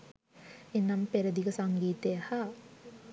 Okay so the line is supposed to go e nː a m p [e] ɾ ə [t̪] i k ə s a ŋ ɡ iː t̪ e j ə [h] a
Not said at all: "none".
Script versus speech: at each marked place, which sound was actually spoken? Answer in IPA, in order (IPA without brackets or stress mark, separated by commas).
e, d̪, h